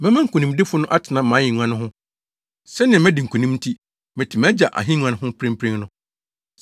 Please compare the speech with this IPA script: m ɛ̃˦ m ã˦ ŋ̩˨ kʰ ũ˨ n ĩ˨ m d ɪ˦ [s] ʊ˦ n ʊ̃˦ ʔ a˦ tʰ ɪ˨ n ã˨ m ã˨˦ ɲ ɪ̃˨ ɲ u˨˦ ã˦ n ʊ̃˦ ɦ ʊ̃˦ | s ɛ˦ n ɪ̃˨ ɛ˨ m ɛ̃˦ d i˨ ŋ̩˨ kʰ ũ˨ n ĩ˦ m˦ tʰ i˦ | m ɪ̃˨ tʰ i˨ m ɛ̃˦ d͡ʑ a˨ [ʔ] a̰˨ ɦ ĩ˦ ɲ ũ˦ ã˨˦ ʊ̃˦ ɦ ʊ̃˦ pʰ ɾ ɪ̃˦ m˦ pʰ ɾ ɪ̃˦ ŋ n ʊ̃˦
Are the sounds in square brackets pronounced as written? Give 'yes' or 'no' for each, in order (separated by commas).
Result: no, yes